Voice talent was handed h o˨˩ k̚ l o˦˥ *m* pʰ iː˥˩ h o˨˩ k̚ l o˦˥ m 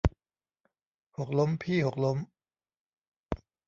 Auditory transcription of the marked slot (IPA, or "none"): m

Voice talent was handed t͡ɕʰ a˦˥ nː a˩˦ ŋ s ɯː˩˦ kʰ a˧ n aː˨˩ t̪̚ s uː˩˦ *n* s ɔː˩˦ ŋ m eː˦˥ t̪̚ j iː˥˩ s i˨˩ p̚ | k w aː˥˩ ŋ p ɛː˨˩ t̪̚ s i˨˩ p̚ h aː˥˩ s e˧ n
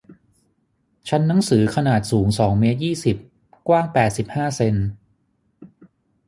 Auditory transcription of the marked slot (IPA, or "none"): ŋ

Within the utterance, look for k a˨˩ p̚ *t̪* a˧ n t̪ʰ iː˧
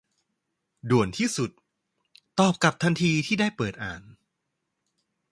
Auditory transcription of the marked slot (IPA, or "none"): t̪ʰ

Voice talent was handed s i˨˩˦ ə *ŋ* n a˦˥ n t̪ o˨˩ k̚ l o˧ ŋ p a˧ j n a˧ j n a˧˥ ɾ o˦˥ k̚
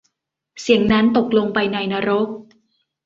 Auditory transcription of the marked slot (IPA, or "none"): ŋ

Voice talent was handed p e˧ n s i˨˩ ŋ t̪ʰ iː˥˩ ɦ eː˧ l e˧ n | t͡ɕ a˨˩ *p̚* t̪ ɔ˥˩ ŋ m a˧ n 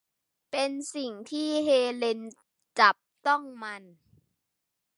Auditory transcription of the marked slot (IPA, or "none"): p̚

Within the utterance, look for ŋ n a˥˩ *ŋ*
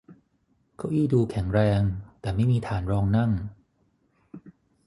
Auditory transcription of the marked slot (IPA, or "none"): ŋ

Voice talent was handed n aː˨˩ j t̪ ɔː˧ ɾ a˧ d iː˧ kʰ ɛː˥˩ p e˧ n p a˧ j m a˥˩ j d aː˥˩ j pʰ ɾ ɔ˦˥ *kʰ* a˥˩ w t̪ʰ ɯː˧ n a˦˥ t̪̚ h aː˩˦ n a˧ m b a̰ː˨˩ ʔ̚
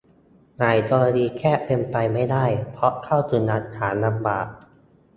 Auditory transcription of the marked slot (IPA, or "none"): kʰ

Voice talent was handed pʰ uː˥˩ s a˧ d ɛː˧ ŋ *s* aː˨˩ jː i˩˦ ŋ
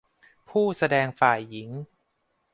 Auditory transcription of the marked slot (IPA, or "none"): f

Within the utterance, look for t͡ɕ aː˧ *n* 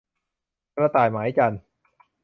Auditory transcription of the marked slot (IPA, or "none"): n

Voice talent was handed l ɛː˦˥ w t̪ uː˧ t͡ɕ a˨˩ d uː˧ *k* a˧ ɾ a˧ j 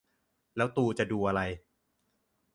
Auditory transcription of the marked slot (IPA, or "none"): ʔ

